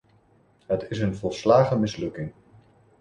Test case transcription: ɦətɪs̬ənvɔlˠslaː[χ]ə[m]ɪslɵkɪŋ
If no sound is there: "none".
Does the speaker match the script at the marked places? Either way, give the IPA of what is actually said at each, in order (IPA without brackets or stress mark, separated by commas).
χ, m